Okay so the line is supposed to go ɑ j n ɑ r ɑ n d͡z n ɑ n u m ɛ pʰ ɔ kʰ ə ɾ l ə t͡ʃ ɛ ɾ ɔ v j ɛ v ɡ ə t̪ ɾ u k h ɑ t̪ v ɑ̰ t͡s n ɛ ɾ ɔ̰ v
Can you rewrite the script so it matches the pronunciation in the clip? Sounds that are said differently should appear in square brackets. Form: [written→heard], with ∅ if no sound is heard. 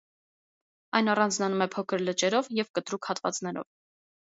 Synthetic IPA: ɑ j n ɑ r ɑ n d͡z n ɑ n u m ɛ pʰ ɔ kʰ ə ɾ l ə t͡ʃ ɛ ɾ ɔ v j ɛ v [ɡ→k] ə t̪ ɾ u k h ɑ t̪ v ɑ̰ t͡s n ɛ ɾ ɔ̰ v